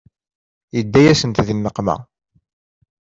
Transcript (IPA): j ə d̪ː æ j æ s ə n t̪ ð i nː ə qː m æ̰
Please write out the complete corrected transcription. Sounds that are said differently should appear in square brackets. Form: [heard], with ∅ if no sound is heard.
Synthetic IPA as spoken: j ə d̪ː æ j æ s ə n t̪ ð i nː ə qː m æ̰

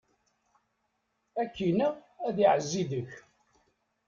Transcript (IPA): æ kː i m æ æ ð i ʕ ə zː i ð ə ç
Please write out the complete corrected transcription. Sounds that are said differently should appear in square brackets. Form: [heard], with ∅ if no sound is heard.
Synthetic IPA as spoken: æ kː i [n] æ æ ð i ʕ ə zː i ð ə ç

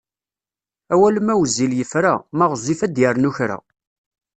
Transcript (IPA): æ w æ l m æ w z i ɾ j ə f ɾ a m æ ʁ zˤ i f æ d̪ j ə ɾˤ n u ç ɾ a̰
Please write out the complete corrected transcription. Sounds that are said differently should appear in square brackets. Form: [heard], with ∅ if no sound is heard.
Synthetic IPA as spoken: æ w æ l m æ w z i [l] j ə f ɾ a m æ ʁ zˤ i f æ d̪ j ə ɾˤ n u ç ɾ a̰

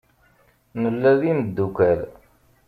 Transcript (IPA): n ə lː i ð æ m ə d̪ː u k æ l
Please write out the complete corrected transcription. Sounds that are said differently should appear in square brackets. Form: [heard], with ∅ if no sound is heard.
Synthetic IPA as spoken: n ə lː [æ] ð [i] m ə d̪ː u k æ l

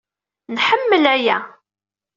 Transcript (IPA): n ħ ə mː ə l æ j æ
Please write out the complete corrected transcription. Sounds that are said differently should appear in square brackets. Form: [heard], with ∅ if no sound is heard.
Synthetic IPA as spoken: n ħ ə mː ə l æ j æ

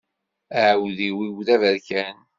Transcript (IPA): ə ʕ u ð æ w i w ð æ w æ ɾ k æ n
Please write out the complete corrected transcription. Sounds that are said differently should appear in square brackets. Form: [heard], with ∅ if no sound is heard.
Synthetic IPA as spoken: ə ʕ [w] ð [i] w i w ð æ [v] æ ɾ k æ n

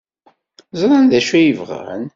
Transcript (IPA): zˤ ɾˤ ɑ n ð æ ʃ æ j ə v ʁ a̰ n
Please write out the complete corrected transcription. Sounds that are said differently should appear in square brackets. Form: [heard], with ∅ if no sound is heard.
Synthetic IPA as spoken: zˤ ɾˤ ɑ n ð æ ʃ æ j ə v ʁ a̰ n

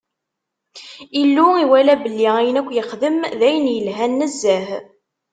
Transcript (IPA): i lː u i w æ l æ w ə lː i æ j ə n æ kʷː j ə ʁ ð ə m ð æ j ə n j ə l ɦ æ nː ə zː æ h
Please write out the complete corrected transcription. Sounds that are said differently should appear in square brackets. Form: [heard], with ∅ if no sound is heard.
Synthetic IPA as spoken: i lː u i w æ l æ [b] ə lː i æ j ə n æ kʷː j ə [χ] ð ə m ð æ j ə n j ə l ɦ æ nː ə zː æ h

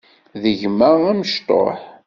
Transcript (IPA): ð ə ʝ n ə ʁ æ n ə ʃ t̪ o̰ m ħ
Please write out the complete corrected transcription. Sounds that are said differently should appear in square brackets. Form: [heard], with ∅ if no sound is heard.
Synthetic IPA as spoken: ð ə ʝ [m] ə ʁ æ [m] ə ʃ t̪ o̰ [∅] ħ

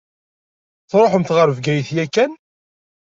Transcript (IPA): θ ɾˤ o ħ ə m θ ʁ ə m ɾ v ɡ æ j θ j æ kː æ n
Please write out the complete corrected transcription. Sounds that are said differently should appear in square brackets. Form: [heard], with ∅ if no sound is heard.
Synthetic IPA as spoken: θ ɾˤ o ħ ə m θ ʁ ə [∅] ɾ v ɡ æ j θ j æ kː æ n

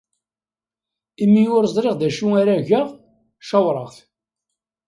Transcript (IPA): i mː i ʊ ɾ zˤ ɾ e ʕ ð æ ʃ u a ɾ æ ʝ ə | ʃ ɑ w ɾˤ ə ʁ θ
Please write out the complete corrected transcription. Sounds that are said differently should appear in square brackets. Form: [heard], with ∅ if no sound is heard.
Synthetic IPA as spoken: i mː i ʊ ɾ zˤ ɾ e [ʁ] ð æ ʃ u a ɾ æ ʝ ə | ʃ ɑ w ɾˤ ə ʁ θ

